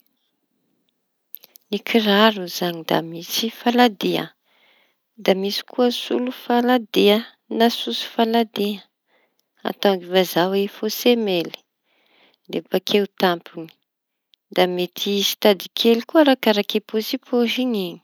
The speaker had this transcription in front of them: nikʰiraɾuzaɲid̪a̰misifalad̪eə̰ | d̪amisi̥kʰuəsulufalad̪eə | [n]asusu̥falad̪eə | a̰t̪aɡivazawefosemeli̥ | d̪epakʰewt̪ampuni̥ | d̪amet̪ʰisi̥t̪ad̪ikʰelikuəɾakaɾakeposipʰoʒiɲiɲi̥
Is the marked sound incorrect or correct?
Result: correct